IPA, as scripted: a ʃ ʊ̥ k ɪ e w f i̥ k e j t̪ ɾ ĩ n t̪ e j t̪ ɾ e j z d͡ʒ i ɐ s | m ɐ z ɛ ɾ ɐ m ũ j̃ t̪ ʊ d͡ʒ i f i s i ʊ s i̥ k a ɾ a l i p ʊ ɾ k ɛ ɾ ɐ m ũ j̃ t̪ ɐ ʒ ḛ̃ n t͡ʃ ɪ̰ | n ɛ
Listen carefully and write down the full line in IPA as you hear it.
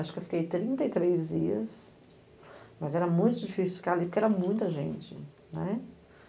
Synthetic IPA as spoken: a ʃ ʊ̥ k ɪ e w f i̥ k e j t̪ ɾ ĩ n t̪ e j t̪ ɾ e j z d͡ʒ i ɐ s | m ɐ z ɛ ɾ ɐ m ũ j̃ t̪ ʊ d͡ʒ i f i s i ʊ f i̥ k a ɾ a l i p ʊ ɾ k ɛ ɾ ɐ m ũ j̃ t̪ ɐ ʒ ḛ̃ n t͡ʃ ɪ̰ | n ɛ